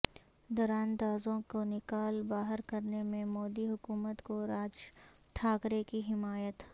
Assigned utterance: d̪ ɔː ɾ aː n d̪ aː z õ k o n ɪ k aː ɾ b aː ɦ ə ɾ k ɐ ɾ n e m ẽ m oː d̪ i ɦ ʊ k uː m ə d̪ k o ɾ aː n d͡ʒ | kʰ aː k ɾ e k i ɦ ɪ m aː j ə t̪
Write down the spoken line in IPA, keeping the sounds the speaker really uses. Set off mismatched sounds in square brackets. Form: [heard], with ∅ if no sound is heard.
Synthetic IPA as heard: d̪ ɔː ɾ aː n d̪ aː z õ k o n ɪ k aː [l] b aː ɦ ə ɾ k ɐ ɾ n e m ẽ m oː d̪ i ɦ ʊ k uː m ə [t̪] k o ɾ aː [∅] d͡ʒ | [ʈʰ] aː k ɾ e k i ɦ ɪ m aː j ə t̪